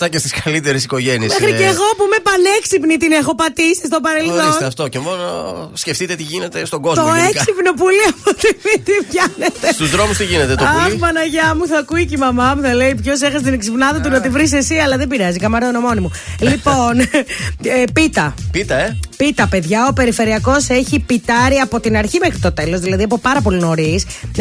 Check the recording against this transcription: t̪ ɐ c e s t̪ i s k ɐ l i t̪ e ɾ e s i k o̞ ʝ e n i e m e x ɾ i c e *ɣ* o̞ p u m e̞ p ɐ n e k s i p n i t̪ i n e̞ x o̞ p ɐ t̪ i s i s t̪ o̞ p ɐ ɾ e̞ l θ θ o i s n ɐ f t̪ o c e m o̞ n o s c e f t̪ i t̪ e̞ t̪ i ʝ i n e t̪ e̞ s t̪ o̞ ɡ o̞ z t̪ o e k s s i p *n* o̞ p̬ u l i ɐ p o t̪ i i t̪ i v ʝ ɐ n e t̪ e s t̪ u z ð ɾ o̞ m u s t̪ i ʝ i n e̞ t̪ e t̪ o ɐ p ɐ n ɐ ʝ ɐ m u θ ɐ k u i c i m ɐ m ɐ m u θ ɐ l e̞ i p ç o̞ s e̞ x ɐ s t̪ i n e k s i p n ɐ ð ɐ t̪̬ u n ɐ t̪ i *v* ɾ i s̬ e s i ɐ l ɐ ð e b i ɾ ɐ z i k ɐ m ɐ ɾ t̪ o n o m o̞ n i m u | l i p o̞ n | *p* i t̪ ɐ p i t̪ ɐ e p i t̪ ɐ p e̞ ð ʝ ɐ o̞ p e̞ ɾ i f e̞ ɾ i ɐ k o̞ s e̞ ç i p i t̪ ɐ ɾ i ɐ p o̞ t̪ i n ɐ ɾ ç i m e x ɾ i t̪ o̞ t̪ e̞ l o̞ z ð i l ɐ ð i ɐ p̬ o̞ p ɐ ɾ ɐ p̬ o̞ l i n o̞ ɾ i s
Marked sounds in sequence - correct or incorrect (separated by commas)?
correct, correct, correct, correct